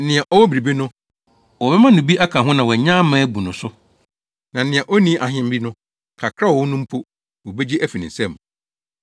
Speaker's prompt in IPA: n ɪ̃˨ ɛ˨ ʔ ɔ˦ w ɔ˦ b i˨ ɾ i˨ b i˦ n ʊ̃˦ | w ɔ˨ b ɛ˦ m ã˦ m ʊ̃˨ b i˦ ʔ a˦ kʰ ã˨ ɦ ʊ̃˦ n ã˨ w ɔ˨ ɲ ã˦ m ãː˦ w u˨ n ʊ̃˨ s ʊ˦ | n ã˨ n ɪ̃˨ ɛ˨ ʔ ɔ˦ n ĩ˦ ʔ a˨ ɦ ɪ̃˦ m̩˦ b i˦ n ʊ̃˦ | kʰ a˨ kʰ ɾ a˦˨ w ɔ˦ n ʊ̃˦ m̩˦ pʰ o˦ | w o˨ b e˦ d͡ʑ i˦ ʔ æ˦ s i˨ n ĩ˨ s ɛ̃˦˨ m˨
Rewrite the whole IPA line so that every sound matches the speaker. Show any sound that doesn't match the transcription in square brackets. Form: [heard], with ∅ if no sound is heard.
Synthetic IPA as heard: n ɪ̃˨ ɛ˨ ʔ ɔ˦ w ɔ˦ b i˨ ɾ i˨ b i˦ n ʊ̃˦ | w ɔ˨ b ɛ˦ m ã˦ [n] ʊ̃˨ b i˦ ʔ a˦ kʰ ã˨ ɦ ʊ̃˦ n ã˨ w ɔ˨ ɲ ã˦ m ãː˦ [b] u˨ n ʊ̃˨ s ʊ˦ | n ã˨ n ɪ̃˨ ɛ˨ ʔ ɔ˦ n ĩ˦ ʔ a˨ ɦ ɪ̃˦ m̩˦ b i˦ n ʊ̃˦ | kʰ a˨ kʰ ɾ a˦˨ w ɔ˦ n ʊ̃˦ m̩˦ pʰ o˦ | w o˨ b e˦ d͡ʑ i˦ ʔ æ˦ [f] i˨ n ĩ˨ s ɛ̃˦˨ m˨